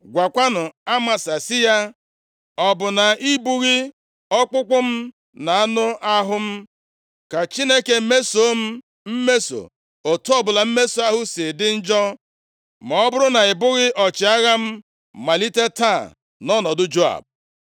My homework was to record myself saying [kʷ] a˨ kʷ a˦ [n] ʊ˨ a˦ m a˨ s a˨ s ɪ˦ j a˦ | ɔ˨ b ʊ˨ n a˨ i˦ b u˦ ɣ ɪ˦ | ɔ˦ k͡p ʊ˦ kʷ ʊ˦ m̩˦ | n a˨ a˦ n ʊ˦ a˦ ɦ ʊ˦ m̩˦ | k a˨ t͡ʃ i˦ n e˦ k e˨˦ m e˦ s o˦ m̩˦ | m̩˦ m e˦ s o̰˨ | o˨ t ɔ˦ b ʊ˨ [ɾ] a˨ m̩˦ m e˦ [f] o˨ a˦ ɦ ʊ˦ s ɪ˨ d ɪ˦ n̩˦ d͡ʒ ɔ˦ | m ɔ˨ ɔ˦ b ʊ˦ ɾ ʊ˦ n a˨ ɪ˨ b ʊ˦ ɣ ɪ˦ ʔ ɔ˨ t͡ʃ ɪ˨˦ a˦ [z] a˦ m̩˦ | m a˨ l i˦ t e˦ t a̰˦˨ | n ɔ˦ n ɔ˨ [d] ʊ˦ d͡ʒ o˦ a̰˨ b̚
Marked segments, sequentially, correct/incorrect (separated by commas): incorrect, correct, incorrect, incorrect, incorrect, correct